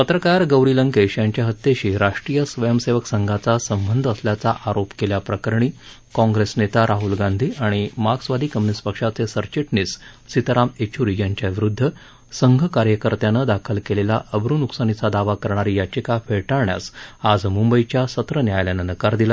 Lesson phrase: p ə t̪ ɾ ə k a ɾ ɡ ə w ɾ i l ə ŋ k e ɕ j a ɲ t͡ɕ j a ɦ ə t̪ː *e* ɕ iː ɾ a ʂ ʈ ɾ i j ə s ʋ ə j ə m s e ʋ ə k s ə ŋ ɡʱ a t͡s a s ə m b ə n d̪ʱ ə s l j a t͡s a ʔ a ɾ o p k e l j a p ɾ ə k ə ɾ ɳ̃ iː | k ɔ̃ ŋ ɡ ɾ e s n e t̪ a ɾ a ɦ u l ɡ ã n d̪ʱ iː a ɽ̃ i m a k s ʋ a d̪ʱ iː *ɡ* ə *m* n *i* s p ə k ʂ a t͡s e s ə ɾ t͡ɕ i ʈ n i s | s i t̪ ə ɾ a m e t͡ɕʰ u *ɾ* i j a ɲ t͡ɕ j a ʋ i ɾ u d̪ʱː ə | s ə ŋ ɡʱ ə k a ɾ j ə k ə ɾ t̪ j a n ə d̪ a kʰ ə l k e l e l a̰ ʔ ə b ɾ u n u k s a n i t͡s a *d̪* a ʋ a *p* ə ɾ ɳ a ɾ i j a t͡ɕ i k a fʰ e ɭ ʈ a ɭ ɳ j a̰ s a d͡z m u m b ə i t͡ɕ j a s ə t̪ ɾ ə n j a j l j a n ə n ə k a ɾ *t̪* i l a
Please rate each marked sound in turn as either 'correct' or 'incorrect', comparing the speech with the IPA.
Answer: correct, incorrect, correct, correct, correct, correct, incorrect, incorrect

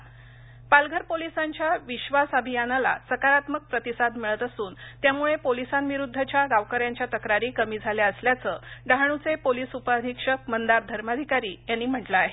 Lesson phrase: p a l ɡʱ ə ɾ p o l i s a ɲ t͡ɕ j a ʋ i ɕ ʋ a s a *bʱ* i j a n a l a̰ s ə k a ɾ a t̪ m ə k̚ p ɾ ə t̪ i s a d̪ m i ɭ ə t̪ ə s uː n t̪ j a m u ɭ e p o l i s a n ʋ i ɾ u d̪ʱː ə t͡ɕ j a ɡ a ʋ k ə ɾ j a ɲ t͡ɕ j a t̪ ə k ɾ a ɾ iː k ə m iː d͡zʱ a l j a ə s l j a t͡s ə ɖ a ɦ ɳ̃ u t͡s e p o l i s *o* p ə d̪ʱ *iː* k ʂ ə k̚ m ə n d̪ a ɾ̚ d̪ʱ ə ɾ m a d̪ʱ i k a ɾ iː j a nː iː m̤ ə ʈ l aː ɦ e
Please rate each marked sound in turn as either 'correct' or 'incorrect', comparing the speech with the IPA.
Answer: correct, incorrect, incorrect

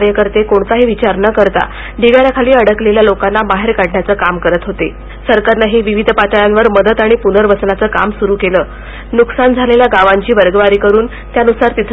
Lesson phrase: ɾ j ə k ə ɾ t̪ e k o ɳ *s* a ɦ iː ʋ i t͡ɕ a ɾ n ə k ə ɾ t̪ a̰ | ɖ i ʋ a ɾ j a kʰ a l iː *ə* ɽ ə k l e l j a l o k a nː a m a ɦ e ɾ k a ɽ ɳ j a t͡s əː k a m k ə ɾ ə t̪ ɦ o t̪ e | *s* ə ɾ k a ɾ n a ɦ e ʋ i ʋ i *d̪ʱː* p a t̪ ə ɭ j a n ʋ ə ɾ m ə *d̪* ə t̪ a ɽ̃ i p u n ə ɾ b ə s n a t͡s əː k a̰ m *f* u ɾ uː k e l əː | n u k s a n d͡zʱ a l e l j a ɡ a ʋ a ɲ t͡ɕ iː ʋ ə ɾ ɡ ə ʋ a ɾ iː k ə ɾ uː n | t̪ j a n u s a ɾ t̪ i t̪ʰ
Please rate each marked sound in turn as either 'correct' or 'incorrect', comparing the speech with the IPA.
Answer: incorrect, correct, correct, incorrect, correct, incorrect

